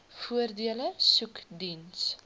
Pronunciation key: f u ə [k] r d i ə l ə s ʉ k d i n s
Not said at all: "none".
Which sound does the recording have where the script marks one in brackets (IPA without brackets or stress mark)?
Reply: none